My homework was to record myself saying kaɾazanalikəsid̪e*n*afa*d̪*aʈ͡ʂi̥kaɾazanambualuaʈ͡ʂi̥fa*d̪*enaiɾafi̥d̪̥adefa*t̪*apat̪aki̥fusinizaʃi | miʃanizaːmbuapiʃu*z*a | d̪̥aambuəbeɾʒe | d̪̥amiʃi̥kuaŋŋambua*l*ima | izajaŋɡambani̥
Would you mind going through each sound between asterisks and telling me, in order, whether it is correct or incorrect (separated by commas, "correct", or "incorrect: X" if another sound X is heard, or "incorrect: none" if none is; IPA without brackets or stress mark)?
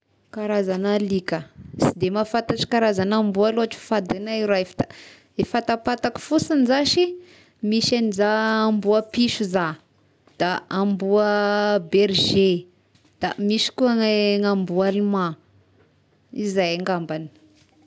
incorrect: m, incorrect: t̪, correct, correct, correct, correct